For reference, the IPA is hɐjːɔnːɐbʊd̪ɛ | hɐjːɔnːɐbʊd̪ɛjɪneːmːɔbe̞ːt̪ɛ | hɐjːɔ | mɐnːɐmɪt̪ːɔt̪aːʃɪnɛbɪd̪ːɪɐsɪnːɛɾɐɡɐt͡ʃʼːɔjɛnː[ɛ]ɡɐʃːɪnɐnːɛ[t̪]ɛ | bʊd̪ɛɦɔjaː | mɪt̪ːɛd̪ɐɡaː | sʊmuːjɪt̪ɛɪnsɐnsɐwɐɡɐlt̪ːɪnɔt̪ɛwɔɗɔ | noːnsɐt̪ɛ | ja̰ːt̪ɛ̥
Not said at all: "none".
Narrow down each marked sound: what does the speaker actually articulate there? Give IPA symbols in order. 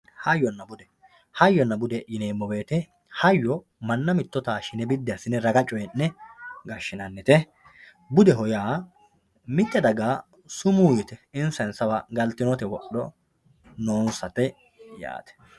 ɛ, t̪

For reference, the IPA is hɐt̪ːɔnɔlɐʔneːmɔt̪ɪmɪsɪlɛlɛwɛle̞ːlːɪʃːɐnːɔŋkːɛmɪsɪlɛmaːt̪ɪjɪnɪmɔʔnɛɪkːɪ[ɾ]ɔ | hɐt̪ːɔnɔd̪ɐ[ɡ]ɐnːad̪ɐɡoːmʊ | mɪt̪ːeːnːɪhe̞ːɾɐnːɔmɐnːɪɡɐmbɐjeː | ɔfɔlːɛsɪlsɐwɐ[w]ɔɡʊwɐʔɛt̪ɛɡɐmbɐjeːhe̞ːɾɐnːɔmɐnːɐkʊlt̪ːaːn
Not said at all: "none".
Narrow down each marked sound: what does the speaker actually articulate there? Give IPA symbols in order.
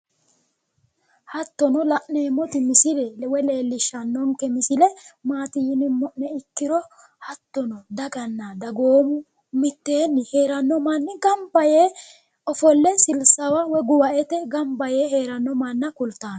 ɾ, ɡ, w

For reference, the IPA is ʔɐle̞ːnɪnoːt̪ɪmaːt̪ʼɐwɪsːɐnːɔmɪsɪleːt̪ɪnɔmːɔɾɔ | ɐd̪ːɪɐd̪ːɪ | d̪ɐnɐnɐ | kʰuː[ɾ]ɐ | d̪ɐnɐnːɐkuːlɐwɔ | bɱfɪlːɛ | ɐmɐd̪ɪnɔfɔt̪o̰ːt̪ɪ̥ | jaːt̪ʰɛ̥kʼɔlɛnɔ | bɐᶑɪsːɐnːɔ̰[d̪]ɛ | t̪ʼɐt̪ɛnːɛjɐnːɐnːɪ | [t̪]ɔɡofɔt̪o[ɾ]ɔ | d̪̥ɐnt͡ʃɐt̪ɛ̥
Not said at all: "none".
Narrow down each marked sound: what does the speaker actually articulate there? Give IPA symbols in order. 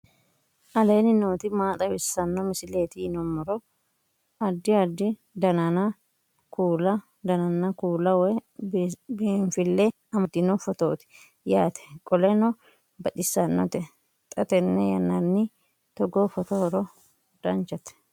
l, t̪, t̪, ɾ

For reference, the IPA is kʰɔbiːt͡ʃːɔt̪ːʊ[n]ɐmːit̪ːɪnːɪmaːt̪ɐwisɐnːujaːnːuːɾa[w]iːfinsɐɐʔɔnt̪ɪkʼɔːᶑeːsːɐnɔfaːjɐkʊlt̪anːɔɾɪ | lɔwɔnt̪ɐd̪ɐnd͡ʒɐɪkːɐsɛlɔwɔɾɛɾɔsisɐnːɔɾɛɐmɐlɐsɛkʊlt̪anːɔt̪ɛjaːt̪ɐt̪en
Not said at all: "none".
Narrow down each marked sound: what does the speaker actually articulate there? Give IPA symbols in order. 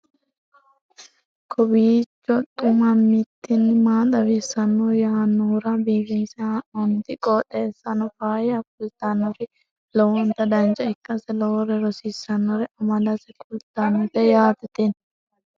m, b

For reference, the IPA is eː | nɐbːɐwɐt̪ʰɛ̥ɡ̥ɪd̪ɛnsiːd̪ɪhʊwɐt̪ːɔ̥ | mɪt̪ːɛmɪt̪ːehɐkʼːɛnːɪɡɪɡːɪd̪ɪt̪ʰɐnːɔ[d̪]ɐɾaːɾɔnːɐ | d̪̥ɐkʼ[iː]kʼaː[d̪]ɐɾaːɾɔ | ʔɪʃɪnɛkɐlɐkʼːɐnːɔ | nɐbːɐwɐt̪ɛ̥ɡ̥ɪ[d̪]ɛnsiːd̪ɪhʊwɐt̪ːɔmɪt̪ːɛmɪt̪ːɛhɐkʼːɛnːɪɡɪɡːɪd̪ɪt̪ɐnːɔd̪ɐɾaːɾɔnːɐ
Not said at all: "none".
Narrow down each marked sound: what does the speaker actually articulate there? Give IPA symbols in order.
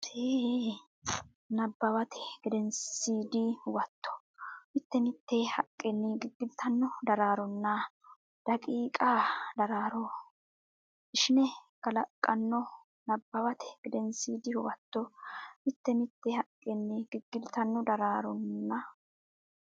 d̪, iː, d̪, d̪

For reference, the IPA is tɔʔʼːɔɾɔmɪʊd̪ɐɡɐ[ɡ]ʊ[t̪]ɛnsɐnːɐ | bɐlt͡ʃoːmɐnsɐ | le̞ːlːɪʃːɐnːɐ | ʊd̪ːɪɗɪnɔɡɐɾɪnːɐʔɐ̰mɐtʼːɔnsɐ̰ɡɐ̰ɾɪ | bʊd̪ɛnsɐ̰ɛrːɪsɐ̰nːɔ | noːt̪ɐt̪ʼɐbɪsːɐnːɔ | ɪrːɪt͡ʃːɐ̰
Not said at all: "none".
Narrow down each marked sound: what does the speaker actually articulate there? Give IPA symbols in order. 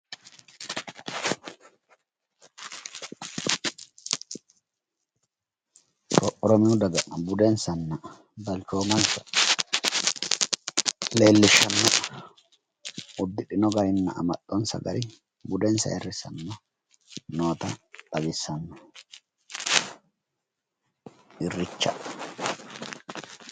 b, d̪

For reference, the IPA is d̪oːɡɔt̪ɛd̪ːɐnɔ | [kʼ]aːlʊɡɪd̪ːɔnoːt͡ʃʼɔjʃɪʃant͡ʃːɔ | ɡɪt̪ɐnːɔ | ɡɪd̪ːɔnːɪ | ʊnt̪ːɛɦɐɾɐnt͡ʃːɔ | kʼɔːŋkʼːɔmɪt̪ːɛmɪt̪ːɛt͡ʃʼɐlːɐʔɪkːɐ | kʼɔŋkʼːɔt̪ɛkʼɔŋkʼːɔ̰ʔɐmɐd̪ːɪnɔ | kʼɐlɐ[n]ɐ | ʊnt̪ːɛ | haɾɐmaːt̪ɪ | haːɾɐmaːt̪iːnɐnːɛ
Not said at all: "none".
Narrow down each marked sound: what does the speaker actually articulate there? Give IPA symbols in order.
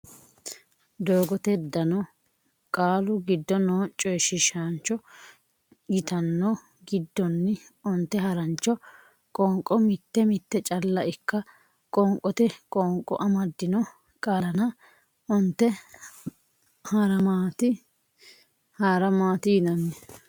kʼ, n

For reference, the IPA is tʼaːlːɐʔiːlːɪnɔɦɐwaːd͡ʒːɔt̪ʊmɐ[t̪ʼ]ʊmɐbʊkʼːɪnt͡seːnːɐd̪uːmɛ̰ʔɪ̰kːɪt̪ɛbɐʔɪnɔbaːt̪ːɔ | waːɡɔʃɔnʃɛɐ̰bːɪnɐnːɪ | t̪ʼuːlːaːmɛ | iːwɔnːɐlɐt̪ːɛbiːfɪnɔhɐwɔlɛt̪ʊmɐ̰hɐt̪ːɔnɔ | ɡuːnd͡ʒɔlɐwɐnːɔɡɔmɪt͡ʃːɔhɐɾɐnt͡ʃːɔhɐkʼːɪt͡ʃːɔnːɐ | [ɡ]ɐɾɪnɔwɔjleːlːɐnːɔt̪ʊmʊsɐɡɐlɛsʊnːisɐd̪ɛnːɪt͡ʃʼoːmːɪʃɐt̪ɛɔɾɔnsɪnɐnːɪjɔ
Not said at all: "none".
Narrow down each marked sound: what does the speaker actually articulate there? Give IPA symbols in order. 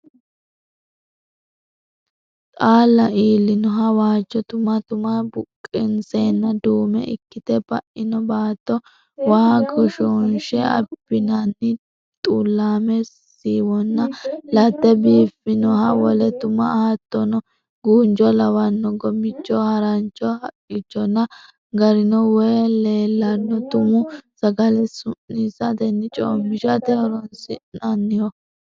t̪, ɡ

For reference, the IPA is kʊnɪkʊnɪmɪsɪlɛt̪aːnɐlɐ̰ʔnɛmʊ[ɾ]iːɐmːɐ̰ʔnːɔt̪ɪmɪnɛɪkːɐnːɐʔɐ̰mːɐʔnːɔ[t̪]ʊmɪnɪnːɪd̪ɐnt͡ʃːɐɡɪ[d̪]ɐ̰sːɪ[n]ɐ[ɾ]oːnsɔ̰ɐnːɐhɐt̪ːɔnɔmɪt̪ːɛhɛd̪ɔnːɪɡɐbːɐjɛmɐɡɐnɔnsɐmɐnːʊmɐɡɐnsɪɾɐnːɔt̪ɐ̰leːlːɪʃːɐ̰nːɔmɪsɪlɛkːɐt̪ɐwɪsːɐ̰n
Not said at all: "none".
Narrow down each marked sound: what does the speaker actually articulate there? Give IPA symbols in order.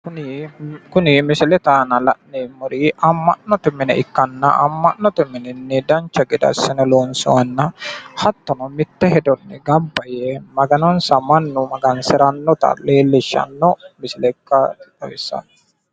ɾ, t̪, d̪, n, l

